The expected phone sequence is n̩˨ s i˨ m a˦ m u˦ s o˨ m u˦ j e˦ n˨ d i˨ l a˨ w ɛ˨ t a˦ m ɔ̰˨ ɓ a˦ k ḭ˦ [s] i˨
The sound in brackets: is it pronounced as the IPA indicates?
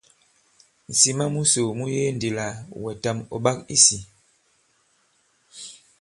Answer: yes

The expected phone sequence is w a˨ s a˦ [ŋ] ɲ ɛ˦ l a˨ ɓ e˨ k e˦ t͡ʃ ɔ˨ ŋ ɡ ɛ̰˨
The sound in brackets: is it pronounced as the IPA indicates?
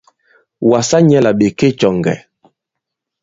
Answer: no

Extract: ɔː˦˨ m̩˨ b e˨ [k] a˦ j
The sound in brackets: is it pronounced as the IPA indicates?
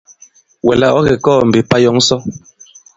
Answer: no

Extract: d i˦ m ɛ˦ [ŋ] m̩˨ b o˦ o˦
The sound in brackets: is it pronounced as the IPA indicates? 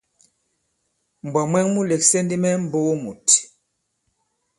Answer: no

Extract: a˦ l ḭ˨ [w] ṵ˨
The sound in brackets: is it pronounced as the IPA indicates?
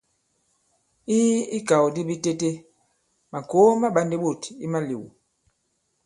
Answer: yes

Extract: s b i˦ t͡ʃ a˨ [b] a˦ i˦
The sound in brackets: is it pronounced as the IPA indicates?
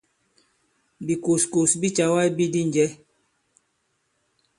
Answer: no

